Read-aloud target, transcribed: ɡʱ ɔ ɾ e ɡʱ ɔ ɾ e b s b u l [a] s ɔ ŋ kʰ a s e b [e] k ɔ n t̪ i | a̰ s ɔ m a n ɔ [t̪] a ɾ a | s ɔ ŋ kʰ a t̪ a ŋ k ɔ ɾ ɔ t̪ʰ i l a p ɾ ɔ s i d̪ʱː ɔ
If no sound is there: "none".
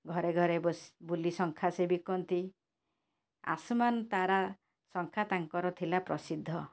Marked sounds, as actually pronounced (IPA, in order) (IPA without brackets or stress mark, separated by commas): i, i, t̪